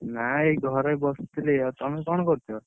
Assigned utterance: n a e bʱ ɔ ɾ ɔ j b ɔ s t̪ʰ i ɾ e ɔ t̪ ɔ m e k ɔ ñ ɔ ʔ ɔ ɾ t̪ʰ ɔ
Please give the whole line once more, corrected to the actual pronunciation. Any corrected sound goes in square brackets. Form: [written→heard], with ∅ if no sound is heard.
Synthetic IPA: n a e [bʱ→ɡʱ] ɔ ɾ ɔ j b ɔ s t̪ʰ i [ɾ→l] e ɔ t̪ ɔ m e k ɔ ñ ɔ [ʔ→k] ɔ ɾ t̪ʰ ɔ